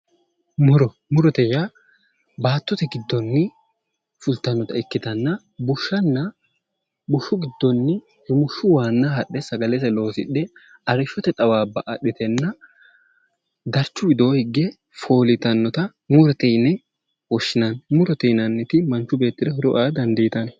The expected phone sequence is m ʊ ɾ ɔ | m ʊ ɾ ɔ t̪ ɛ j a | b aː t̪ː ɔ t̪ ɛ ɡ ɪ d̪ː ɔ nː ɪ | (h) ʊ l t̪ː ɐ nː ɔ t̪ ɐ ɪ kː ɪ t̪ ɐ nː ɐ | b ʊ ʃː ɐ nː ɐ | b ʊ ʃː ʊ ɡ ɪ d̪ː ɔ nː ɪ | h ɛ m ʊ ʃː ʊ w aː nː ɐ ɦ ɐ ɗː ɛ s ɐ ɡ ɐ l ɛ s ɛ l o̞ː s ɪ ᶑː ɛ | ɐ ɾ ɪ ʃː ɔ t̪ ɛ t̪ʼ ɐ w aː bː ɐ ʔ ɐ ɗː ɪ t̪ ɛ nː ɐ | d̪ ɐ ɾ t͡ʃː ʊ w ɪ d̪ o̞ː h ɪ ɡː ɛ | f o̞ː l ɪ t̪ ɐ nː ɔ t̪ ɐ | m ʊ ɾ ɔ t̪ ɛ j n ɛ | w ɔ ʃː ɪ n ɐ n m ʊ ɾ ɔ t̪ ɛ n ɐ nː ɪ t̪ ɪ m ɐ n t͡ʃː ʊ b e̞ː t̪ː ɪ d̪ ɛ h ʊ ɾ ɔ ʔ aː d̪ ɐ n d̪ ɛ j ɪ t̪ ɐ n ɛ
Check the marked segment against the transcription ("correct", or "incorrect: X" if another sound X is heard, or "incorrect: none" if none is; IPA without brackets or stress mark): incorrect: f